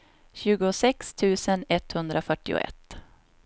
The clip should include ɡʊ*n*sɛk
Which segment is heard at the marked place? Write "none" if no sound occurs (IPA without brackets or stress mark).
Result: none